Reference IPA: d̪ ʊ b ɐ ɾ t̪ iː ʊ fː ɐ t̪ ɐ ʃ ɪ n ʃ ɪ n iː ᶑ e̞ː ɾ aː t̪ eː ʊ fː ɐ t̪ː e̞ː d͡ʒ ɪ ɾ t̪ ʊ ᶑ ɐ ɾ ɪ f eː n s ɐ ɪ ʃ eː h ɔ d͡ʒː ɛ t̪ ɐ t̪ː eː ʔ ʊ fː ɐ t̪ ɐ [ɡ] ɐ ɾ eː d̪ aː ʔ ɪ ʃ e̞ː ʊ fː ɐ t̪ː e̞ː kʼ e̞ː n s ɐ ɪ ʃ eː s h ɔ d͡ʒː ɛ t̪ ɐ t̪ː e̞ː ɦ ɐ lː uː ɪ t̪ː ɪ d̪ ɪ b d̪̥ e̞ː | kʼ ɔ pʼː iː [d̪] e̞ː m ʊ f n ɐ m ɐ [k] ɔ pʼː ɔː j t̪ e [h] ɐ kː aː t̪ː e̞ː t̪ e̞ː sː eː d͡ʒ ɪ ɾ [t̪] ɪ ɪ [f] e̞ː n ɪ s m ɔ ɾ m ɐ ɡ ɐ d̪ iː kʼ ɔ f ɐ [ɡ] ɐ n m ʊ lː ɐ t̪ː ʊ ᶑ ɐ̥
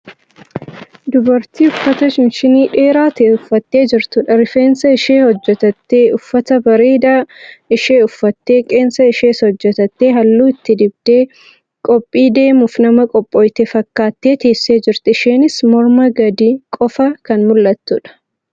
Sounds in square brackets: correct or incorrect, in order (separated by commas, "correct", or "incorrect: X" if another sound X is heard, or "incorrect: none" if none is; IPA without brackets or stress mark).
incorrect: b, correct, incorrect: kʼ, incorrect: f, correct, incorrect: ʃ, incorrect: k